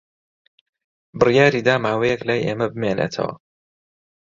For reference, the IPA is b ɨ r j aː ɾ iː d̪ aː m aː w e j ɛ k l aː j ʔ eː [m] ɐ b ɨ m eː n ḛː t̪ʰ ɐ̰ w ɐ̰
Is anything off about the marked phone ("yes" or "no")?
no